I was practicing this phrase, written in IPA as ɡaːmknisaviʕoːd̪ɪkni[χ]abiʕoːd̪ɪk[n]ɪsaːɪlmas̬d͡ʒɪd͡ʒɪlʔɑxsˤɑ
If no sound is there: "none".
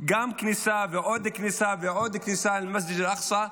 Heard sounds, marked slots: s, n

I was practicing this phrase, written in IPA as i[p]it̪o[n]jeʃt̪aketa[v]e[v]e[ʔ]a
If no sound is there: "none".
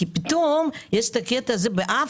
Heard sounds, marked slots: p, m, z, b, ʔ

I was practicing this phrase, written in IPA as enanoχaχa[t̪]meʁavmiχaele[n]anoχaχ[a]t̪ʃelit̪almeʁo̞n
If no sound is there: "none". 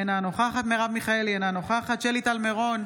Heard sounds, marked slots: t̪, n, a

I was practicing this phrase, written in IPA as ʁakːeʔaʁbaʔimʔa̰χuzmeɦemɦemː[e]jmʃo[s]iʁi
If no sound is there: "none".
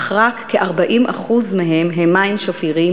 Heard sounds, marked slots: a, f

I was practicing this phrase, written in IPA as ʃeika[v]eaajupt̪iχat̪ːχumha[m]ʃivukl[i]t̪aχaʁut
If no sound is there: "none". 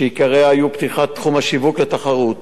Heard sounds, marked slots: ʁ, none, e

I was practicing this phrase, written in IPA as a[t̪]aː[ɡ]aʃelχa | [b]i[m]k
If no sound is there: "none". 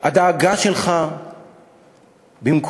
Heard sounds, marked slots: d̪, ɡ, b, m

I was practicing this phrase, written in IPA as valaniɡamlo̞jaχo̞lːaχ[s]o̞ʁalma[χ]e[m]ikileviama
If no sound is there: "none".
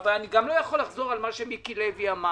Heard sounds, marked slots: z, ʃ, m

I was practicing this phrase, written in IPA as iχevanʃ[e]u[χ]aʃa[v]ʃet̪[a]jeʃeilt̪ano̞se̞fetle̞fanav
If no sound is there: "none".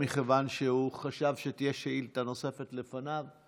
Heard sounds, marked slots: e, χ, v, i

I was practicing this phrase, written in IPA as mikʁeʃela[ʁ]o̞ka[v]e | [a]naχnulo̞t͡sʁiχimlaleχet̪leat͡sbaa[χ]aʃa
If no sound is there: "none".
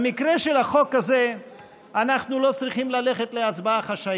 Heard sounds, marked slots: χ, z, a, χ

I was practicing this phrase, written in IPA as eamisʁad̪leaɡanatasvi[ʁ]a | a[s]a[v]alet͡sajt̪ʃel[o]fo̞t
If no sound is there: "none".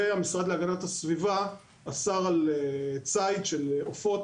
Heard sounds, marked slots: v, s, ʁ, o

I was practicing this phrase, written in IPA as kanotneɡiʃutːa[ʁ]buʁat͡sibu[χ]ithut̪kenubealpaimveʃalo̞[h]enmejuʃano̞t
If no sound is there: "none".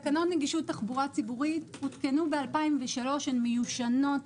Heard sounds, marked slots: χ, ʁ, ʃ

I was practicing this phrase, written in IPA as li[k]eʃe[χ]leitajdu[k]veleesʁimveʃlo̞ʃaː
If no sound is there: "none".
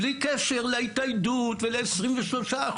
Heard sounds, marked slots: k, ʁ, t

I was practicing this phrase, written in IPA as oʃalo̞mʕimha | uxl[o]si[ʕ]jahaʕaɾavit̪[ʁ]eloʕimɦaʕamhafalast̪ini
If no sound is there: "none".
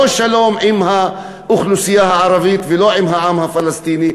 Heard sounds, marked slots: u, none, v

